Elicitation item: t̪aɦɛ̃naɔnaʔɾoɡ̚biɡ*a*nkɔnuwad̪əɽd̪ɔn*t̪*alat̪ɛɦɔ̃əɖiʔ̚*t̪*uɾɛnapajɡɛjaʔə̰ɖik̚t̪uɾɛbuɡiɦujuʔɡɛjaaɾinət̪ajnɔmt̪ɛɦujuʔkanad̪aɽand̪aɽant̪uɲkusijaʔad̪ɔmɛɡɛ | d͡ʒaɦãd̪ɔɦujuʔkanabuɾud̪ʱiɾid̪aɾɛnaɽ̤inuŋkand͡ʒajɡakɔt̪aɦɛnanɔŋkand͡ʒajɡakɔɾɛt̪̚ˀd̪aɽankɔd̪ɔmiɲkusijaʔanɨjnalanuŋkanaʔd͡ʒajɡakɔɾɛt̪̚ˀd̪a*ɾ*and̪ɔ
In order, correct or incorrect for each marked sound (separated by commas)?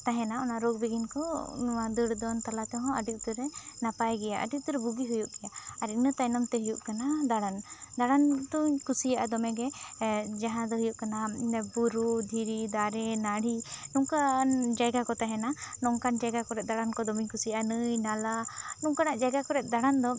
incorrect, correct, correct, incorrect